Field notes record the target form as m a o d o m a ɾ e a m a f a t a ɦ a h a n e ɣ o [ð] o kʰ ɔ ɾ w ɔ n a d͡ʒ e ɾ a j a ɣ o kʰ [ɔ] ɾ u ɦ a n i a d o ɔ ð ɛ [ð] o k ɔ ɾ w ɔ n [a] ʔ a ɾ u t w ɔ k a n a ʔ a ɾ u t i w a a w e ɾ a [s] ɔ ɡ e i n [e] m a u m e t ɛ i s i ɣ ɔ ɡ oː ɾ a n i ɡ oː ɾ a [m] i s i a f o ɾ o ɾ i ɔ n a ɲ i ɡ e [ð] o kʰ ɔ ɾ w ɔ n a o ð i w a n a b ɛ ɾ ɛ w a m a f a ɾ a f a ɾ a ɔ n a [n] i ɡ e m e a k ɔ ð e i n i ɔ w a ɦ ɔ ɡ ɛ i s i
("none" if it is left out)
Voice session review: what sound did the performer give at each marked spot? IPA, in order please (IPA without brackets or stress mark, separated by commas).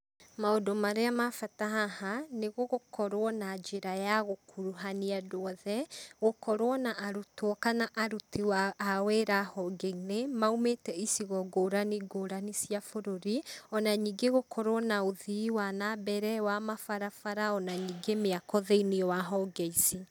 ɣ, u, ɣ, a, h, e, n, ɣ, ɲ